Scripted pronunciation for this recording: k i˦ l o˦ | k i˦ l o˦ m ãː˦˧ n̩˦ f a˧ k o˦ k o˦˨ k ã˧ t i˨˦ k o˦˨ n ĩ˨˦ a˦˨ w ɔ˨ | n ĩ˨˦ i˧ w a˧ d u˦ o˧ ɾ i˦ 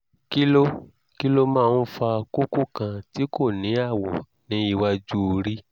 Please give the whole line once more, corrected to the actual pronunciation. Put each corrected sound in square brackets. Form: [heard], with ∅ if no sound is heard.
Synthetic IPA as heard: k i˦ l o˦ | k i˦ l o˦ m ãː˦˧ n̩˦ f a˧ k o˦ k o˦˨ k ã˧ t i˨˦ k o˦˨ n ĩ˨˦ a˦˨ w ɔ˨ | n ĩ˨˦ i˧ w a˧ [d͡ʒ] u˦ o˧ ɾ i˦